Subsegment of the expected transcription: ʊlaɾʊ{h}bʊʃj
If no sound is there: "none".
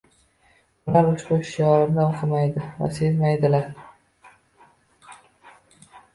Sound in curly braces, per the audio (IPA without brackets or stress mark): ʃ